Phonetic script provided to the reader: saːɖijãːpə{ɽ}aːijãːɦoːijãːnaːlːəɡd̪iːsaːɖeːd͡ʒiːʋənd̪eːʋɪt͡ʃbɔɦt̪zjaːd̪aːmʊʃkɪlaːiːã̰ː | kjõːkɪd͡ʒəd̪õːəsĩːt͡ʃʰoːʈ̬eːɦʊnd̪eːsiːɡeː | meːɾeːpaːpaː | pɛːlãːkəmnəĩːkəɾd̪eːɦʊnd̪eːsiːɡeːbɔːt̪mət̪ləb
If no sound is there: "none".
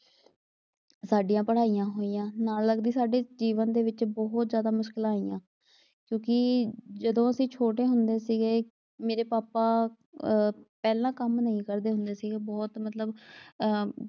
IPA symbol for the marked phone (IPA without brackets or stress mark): ɽ